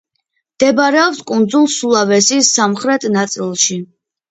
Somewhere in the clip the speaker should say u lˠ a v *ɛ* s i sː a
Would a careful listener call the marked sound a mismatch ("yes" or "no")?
no